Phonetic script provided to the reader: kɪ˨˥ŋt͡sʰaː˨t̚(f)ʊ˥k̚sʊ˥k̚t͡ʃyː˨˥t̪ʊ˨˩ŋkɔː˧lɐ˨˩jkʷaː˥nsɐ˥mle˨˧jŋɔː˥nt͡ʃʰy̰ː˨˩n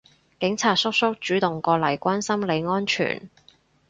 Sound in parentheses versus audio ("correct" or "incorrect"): incorrect